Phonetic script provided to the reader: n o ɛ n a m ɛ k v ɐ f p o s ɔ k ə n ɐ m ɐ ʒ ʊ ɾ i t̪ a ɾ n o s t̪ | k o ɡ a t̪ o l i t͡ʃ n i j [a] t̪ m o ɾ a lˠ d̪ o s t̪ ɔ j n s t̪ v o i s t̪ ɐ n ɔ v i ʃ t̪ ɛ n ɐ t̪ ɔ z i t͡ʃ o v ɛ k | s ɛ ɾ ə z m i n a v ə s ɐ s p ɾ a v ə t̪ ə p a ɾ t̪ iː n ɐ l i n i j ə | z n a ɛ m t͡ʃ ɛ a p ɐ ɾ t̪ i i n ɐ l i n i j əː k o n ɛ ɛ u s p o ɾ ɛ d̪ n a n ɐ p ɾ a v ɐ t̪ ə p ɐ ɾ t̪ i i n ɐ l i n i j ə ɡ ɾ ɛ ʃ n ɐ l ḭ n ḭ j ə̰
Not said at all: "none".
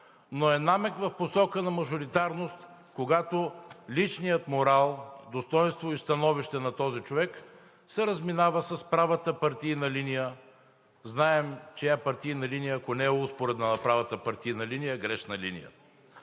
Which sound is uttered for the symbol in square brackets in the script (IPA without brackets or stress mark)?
ə